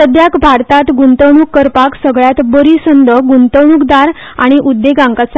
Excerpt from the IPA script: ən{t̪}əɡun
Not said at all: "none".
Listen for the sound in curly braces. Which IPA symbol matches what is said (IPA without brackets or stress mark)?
d̪